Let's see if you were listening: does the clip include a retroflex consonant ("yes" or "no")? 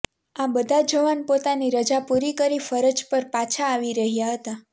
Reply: no